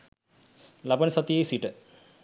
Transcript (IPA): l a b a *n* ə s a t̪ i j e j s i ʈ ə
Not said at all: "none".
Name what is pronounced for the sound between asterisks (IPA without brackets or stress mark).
n